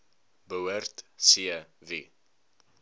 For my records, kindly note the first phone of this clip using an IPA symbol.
b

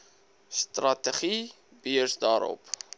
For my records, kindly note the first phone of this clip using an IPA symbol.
s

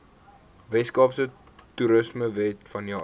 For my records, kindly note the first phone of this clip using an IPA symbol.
v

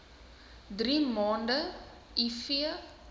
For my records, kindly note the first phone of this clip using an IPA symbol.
d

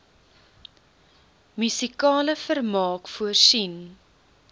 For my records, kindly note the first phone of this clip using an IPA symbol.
m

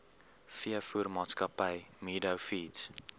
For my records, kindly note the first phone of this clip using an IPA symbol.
f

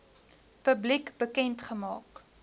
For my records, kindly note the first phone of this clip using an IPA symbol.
p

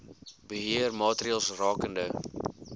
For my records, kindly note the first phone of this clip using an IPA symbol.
b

